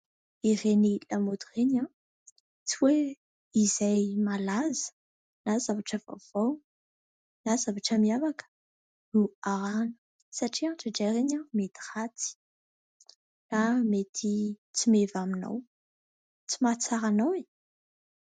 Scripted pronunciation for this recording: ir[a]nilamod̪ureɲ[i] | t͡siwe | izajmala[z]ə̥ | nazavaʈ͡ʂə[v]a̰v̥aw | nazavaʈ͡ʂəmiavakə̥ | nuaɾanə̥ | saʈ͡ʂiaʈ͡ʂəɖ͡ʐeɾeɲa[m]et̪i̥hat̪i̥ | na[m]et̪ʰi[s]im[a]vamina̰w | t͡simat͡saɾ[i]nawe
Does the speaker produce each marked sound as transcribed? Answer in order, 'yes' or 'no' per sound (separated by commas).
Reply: no, no, yes, yes, yes, yes, no, no, no